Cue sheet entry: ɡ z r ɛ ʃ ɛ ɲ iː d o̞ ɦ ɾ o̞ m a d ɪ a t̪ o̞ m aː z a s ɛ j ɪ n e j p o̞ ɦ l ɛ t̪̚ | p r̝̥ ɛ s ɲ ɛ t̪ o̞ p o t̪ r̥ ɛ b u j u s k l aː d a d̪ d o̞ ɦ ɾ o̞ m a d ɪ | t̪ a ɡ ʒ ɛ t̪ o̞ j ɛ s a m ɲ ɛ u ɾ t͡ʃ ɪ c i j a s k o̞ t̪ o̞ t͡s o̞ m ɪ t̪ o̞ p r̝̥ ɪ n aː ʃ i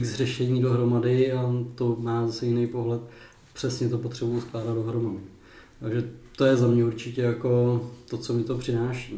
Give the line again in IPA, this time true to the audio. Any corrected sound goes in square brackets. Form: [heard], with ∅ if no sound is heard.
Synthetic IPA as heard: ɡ z r ɛ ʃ ɛ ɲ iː d o̞ ɦ ɾ o̞ m a d ɪ a t̪ o̞ m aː z a s ɛ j ɪ n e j p o̞ ɦ l ɛ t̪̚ | p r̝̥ ɛ s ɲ ɛ t̪ o̞ p o t̪ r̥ ɛ b u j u s k l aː d a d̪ d o̞ ɦ ɾ o̞ m a d ɪ | t̪ a ɡ ʒ ɛ t̪ o̞ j ɛ [z] a m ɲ ɛ u ɾ t͡ʃ ɪ c [ɛ] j a [∅] k o̞ t̪ o̞ t͡s o̞ m ɪ t̪ o̞ p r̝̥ ɪ n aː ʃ i